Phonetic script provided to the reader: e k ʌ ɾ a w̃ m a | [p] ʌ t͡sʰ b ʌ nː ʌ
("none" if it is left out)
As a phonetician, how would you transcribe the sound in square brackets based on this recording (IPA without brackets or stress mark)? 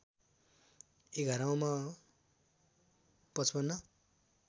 p